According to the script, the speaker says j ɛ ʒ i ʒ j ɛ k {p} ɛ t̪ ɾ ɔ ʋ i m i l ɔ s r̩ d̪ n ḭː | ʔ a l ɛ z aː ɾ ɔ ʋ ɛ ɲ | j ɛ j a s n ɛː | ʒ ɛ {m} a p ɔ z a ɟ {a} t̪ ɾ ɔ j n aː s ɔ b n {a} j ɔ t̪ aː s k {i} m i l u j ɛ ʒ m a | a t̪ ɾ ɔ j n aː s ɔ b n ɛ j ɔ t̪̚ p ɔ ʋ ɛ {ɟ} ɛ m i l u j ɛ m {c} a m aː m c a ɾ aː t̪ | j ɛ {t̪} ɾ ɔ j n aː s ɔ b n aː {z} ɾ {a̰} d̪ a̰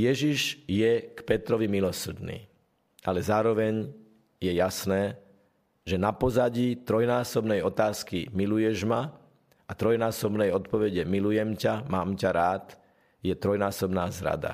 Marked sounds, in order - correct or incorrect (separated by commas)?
correct, incorrect, incorrect, incorrect, correct, correct, correct, correct, correct, correct